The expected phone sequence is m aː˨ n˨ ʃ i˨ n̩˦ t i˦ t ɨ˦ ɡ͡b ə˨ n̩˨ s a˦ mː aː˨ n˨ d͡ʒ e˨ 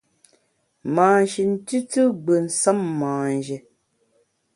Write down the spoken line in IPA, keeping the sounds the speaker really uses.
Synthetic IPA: m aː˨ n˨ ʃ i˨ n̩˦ t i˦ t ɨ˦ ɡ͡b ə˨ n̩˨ s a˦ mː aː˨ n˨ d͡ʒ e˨